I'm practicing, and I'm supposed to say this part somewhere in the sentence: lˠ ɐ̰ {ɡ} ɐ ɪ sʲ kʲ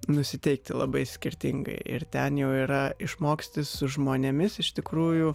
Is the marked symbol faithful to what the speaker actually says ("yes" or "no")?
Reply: no